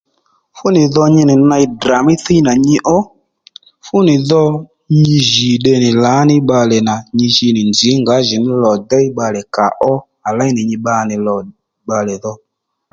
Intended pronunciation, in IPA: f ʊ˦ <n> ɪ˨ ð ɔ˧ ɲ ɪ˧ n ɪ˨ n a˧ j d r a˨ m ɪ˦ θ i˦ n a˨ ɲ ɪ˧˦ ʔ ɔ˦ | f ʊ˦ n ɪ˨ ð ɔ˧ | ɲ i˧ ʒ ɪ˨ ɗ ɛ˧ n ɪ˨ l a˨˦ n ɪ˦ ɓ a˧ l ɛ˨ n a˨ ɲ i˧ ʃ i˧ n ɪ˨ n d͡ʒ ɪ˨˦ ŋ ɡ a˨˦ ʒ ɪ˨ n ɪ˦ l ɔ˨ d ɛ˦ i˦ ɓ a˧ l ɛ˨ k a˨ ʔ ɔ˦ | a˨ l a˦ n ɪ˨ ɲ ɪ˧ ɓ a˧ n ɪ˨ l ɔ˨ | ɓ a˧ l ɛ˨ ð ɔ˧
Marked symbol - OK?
yes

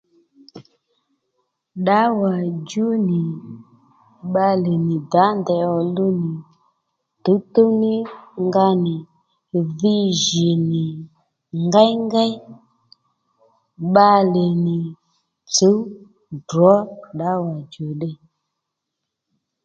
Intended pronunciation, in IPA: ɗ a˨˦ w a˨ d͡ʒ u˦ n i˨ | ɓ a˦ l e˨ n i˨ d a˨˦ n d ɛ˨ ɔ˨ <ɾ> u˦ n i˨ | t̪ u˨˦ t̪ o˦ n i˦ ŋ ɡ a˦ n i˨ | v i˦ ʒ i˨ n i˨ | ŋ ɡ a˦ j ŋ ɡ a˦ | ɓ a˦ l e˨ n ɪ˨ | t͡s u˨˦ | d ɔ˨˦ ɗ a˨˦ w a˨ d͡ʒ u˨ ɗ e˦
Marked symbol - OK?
no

